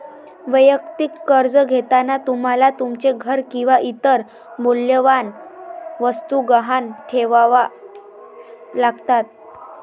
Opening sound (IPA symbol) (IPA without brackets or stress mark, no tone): ʋ